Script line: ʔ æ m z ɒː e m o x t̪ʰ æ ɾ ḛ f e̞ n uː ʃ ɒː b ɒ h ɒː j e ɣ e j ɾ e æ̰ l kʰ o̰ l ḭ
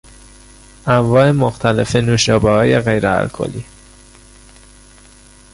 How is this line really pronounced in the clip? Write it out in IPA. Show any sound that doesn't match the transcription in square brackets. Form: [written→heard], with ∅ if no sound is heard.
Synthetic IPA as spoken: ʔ æ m [z→v] ɒː e m o x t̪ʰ æ [ɾ→l] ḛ f e̞ n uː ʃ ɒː b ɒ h ɒː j e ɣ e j ɾ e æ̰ l kʰ o̰ l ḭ